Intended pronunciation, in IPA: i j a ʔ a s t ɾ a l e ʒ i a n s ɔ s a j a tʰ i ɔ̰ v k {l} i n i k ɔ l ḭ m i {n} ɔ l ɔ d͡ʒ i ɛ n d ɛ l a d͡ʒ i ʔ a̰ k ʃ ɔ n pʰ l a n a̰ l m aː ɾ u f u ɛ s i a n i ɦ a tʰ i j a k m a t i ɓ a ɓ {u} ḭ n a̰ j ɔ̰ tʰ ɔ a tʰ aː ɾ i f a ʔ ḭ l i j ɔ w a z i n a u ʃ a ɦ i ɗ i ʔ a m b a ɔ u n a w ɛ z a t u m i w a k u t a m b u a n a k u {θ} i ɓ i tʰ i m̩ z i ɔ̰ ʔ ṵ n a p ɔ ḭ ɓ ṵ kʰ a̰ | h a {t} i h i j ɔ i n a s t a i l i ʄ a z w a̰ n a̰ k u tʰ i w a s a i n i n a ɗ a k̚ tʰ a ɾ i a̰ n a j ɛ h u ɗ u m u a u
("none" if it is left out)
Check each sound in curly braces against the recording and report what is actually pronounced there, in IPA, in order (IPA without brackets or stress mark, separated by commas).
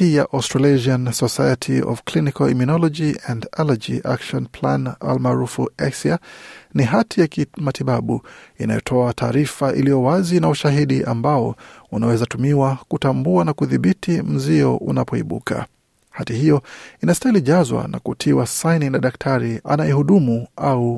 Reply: l, n, u, ð, t